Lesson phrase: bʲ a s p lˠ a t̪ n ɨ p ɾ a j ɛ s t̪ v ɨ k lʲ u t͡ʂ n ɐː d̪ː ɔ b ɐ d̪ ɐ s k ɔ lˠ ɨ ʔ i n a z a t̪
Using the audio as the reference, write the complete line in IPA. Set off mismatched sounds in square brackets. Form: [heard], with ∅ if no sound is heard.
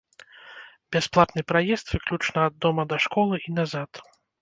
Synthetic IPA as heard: bʲ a s p lˠ a t̪ n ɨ p ɾ a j ɛ s t̪ v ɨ k lʲ u t͡ʂ n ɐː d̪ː ɔ [m] ɐ d̪ ɐ [ʂ] k ɔ lˠ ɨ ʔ i n a z a t̪